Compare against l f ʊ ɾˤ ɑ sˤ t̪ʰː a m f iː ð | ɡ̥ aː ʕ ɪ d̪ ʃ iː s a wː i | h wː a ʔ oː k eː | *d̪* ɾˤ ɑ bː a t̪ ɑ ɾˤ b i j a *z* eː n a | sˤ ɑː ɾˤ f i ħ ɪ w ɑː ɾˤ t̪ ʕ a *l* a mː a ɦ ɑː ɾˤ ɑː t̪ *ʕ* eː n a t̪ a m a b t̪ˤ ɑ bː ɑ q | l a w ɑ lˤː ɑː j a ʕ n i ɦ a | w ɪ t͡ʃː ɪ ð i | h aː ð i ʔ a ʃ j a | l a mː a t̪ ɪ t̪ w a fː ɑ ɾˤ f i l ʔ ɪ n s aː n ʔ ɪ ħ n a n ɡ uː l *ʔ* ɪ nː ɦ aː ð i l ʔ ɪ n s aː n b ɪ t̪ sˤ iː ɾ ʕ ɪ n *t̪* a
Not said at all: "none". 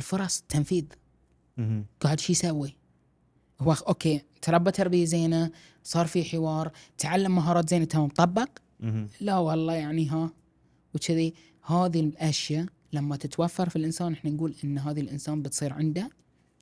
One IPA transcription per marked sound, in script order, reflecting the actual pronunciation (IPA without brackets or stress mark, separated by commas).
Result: t̪, z, lː, z, ʔ, d̪